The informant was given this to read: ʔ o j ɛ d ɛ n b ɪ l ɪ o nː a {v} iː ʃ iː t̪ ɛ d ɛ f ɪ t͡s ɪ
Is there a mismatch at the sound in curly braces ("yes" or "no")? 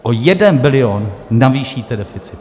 no